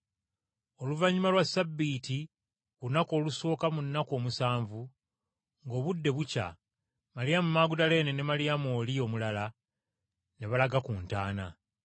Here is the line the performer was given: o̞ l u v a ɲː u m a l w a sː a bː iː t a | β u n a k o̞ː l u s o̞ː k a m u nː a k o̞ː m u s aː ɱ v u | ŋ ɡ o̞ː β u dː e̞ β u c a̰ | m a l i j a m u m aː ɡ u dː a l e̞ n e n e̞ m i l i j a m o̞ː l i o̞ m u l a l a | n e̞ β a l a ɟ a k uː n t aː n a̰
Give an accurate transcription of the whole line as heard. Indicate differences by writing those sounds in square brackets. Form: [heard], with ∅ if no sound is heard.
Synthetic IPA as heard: o̞ l u v a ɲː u m a l w a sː a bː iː t [i] | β u n a k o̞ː l u s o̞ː k a m u nː a k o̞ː m u s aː ɱ v u | ŋ ɡ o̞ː β u dː e̞ β u c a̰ | m a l i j a m u m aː ɡ u [d] a l e̞ n e n e̞ m [a] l i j a m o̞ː l i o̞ m u l a l a | n e̞ β a l a [ɡ] a k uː n t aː n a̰